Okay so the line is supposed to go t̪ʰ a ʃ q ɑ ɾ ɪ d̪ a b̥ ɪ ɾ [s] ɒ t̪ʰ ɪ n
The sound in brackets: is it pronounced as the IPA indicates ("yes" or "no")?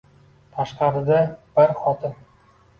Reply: no